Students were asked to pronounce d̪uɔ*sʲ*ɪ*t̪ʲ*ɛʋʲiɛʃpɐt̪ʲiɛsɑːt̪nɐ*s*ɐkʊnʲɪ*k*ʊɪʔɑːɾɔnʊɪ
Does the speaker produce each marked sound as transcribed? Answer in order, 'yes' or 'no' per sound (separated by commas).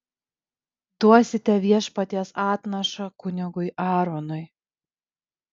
yes, yes, no, no